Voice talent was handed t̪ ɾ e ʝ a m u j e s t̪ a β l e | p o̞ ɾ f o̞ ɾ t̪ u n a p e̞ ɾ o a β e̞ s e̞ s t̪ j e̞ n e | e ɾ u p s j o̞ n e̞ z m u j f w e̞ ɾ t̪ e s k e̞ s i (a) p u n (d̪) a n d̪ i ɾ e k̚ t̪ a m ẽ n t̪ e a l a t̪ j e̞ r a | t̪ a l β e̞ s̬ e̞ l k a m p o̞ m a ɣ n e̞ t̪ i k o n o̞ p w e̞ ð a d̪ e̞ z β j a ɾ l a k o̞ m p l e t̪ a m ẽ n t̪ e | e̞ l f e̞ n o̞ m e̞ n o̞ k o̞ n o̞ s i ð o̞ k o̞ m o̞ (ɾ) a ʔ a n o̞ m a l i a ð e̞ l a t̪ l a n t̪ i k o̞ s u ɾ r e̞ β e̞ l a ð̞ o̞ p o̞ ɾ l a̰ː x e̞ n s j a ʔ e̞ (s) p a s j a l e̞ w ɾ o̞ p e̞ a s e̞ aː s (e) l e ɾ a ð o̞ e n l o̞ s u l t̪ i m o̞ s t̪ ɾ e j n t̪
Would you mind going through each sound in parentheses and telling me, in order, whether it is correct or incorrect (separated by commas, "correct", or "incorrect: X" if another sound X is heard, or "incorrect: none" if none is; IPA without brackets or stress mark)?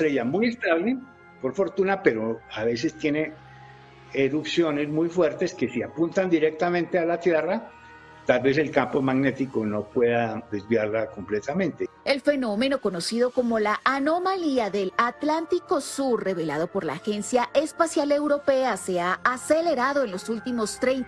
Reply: correct, incorrect: t̪, incorrect: l, correct, correct